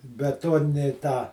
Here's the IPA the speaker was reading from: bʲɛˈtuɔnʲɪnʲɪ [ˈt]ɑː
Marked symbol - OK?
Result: yes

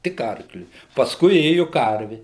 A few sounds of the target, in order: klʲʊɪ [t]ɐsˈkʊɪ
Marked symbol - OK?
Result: no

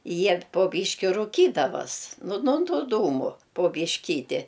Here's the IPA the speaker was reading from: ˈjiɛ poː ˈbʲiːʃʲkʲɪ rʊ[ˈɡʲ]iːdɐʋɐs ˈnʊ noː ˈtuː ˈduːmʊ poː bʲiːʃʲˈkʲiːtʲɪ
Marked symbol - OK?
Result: no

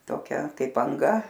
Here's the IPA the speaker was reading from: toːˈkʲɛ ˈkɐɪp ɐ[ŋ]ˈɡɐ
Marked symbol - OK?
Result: yes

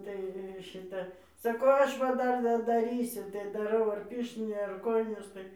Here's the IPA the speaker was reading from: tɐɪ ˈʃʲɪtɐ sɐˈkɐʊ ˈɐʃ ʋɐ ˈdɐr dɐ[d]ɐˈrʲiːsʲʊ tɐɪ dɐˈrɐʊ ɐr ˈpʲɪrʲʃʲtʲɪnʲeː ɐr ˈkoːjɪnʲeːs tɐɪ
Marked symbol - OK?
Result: yes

